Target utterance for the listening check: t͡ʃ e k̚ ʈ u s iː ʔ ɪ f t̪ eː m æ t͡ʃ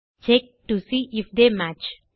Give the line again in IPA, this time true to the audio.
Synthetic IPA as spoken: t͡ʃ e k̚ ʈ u s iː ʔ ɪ f d̪ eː m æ t͡ʃ